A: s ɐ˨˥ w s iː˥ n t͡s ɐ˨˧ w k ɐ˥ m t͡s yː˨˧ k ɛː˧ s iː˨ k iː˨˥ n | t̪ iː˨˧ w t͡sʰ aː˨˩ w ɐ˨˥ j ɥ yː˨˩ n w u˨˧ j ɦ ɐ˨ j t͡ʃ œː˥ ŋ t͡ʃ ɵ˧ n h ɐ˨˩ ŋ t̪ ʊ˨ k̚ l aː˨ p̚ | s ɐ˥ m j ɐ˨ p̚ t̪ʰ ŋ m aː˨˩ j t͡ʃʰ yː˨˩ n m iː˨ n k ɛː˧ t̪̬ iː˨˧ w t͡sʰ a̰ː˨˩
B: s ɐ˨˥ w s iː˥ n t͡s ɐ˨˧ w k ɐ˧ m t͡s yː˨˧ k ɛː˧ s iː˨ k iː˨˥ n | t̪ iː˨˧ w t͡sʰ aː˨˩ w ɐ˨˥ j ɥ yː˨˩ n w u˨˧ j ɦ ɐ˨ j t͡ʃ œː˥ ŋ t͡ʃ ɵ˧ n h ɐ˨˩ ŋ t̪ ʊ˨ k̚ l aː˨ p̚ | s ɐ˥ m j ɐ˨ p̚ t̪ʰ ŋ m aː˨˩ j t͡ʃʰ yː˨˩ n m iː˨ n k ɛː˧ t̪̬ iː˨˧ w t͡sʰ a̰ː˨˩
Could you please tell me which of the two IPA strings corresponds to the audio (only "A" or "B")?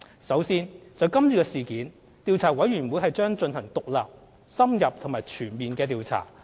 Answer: A